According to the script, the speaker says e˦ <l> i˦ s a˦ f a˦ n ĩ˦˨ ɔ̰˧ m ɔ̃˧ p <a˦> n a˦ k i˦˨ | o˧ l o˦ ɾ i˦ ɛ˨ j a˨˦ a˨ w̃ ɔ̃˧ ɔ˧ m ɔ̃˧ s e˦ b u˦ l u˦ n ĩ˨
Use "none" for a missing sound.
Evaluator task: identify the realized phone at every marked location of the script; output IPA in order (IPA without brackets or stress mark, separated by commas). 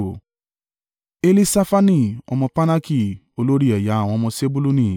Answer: l, a˦